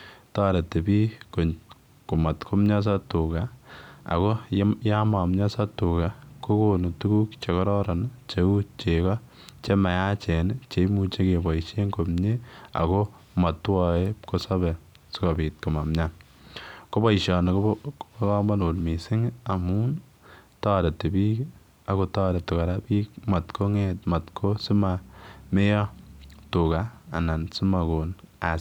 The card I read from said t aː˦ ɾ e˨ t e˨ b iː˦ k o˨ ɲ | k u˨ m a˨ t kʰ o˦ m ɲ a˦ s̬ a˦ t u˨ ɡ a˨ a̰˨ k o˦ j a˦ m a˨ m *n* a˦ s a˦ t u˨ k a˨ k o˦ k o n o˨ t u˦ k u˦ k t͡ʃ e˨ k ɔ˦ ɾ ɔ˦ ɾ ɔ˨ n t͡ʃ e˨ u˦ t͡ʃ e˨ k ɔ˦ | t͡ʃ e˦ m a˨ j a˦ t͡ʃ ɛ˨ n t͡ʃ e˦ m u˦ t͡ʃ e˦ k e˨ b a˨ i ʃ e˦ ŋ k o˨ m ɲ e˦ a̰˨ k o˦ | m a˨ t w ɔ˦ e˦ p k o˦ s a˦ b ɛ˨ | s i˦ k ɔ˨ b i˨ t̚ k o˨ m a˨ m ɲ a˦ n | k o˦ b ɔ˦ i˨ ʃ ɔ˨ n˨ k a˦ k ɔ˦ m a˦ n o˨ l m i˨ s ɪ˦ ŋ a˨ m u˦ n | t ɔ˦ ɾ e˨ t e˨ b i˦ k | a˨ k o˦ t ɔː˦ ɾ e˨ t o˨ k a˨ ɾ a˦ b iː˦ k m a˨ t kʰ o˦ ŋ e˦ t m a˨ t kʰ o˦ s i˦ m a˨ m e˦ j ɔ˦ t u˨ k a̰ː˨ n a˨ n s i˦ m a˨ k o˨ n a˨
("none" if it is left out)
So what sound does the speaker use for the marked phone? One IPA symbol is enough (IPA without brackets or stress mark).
ɲ